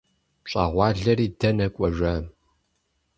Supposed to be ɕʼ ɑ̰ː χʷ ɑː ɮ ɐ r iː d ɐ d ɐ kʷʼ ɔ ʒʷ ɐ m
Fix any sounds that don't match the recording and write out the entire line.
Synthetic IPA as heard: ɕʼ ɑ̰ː ʁʷ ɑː ɮ ɐ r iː d ɐ n ɐ kʷʼ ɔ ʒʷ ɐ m